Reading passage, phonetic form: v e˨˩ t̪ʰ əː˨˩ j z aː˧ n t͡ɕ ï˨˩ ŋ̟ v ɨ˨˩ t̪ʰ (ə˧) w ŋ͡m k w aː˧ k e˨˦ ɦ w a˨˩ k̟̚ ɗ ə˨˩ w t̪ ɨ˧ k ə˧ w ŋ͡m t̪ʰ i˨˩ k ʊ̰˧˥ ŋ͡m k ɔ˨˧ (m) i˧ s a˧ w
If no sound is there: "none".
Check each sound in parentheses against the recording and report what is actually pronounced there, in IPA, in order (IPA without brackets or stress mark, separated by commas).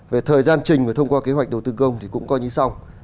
ə˧, ɲ